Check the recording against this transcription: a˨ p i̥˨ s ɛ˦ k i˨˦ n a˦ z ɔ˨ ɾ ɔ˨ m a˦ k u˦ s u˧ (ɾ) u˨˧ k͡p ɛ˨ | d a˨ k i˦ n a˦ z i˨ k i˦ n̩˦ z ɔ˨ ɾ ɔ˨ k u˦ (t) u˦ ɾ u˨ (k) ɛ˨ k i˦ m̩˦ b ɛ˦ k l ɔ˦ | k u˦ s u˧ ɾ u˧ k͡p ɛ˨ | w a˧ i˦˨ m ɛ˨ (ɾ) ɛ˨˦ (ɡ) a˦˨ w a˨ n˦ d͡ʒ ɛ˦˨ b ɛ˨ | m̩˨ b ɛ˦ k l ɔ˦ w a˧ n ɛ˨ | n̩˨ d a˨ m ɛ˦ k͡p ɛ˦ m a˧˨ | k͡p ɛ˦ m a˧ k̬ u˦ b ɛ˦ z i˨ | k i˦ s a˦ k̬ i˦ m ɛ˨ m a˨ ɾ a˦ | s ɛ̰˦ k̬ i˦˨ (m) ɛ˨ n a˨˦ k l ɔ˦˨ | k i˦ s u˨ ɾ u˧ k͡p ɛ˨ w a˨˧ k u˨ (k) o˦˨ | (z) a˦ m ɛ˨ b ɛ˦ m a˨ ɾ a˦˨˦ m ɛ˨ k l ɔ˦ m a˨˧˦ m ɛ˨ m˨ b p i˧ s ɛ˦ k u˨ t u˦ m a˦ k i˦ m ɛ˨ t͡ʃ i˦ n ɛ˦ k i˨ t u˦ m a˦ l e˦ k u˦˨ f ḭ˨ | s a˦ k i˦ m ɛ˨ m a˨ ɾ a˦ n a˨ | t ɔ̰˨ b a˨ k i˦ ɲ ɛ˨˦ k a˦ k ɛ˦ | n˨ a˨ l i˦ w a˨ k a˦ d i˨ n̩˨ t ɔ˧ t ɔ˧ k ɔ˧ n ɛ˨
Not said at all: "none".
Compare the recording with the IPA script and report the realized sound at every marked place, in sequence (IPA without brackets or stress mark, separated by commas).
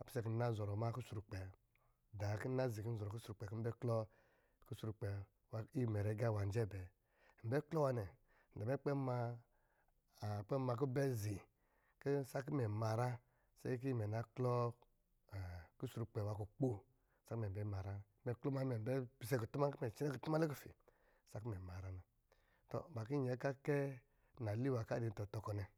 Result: ɾ, s, k͡p, ɾ, ɡ, m, k͡p, s